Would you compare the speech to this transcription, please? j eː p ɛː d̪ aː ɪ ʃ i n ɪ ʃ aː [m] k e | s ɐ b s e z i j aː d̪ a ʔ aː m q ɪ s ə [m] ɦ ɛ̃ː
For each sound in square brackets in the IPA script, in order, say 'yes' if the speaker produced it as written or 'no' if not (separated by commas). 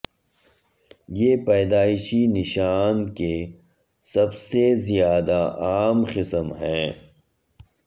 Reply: no, yes